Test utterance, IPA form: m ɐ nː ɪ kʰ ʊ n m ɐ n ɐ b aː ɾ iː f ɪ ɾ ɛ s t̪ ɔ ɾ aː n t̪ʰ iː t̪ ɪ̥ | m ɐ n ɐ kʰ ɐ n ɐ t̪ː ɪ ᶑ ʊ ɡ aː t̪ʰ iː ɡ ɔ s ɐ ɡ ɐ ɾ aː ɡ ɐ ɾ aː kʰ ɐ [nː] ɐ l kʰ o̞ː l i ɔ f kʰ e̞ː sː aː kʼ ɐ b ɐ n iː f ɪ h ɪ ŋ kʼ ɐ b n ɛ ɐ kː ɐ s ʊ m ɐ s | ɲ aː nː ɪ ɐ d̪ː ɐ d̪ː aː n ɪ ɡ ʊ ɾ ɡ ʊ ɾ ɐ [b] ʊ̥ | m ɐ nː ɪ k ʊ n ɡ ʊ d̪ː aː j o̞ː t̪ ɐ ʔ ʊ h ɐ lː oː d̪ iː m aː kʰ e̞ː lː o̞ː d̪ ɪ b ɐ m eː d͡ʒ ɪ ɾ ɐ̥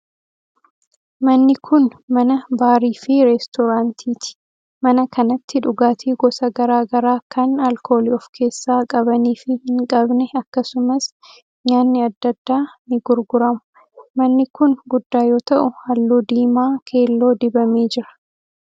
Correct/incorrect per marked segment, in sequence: incorrect: n, incorrect: m

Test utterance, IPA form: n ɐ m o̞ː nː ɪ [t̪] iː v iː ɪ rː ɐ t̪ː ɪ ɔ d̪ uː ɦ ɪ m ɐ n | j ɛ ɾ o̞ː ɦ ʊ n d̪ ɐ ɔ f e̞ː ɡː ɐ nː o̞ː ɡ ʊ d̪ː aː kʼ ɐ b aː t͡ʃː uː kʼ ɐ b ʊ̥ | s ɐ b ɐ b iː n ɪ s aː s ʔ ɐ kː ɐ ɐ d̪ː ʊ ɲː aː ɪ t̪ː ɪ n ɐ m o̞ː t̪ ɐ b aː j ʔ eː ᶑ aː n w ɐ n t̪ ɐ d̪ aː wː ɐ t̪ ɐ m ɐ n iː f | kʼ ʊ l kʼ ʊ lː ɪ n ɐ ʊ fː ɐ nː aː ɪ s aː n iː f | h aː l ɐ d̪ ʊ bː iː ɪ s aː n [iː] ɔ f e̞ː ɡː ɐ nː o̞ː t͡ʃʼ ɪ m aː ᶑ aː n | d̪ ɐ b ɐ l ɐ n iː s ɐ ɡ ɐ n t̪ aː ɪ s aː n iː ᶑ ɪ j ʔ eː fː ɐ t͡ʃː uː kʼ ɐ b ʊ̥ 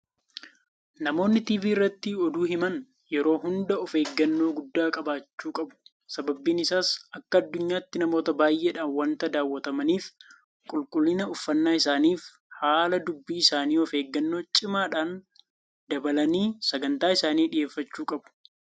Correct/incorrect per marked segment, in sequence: correct, correct

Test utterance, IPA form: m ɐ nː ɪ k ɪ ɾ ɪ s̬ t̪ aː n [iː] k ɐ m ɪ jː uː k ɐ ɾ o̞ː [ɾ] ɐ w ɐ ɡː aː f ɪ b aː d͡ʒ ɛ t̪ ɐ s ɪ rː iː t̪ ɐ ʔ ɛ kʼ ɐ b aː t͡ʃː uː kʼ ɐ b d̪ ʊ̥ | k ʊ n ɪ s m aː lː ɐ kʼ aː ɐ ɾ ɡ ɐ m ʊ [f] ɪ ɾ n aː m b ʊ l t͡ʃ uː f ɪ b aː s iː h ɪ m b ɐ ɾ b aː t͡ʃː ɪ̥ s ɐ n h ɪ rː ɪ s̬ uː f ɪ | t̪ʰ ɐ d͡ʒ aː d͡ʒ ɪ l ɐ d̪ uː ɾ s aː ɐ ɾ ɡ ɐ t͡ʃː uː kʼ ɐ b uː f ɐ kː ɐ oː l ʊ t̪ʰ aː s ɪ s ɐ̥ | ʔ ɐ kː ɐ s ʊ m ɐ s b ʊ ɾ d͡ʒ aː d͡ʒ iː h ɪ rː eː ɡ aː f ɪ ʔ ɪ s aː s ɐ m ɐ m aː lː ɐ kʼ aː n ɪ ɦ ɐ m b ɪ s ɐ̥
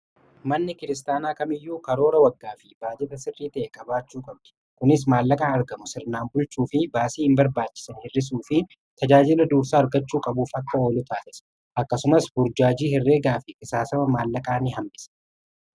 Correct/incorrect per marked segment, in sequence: incorrect: aː, correct, incorrect: s

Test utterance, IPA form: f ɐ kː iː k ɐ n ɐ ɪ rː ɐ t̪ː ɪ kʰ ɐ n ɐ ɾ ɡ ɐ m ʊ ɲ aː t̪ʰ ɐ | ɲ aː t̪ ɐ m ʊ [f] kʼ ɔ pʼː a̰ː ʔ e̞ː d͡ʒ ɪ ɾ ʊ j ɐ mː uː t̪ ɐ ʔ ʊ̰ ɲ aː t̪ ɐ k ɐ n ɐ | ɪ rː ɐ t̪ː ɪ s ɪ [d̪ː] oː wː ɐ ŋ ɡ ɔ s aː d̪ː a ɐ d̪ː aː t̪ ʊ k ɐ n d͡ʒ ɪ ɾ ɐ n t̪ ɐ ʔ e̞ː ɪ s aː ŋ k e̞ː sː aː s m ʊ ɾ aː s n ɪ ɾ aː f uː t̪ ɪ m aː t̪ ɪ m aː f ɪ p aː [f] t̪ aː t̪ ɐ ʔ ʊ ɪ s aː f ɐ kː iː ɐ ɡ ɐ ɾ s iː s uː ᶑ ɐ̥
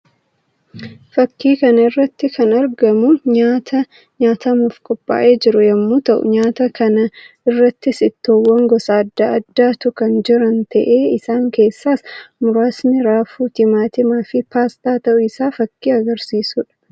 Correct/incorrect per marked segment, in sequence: correct, incorrect: t̪ː, incorrect: s

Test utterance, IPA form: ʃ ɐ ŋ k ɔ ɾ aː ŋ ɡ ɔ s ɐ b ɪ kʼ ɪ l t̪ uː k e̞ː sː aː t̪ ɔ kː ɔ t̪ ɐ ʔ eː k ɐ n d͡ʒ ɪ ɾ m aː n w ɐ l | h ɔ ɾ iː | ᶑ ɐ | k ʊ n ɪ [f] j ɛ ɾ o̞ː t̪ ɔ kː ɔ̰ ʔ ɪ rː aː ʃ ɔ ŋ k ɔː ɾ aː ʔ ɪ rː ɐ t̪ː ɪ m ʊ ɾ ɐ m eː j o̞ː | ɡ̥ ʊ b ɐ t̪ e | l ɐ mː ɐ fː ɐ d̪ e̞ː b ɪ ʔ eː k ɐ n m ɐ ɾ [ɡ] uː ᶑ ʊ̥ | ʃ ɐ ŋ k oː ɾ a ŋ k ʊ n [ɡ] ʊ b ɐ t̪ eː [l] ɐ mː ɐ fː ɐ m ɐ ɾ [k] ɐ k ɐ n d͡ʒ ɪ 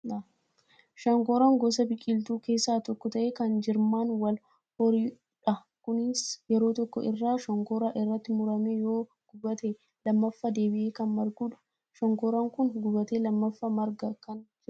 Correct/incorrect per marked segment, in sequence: incorrect: s, correct, correct, correct, incorrect: ɡ

